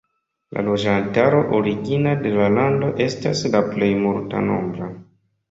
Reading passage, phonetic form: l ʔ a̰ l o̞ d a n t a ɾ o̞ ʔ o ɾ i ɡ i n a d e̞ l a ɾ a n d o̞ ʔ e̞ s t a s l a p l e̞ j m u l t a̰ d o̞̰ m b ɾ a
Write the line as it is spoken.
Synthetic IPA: l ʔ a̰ l o̞ d͡ʒ a n t a ɾ o̞ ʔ o ɾ i ɡ i n a d e̞ l a l a n d o̞ ʔ e̞ s t a s l a p l e̞ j m u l t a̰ n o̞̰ m b ɾ a